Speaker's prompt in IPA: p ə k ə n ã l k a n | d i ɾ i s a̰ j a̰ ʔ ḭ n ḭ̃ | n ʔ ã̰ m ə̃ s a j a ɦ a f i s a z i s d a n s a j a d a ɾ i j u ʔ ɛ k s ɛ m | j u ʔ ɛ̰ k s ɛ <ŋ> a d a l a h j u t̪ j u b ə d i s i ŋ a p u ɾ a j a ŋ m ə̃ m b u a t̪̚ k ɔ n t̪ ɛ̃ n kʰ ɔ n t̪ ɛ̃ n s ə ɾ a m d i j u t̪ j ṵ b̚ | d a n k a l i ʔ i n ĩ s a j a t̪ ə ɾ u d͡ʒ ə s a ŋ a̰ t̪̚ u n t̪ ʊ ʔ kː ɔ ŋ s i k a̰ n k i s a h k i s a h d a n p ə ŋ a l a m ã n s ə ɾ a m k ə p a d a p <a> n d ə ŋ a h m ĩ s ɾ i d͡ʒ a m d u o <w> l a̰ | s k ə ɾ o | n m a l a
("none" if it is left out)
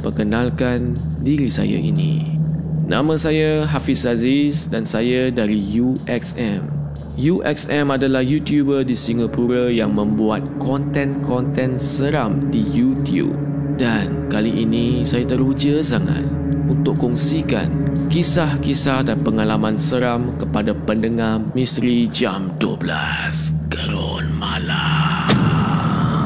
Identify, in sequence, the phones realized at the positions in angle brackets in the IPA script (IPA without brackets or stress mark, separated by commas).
m, ə, b